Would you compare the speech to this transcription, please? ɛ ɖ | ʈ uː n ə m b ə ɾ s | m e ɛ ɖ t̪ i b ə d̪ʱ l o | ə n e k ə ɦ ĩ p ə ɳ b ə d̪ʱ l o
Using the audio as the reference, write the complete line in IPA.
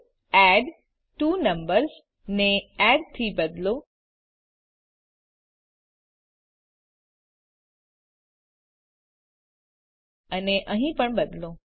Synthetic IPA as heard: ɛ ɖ | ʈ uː n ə m b ə ɾ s | n e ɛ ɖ t̪ʰ i b ə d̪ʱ l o | ə n e ʔ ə ɦ ĩ p ə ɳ b ə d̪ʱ l o